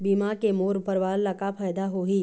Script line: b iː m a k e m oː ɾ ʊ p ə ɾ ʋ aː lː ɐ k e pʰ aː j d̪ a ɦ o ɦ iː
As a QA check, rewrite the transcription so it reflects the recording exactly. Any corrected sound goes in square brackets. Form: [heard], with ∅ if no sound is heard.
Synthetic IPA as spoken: b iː m a k e m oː ɾ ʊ p ə ɾ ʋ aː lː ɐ k [a] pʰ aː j d̪ a ɦ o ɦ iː